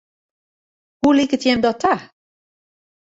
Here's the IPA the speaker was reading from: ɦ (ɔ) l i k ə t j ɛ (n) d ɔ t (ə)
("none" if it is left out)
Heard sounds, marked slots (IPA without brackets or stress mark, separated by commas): u, m, a